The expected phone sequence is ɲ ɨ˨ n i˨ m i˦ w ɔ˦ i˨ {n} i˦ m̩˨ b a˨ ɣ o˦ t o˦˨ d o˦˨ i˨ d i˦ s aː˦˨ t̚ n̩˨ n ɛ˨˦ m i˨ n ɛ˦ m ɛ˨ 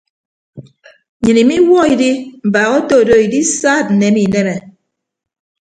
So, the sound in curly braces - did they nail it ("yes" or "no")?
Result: no